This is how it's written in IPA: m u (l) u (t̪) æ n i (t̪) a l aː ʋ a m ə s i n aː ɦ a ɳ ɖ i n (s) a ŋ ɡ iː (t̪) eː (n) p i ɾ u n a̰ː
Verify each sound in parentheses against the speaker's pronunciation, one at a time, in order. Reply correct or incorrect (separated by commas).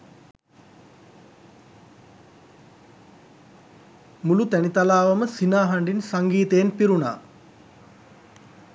correct, correct, correct, correct, correct, correct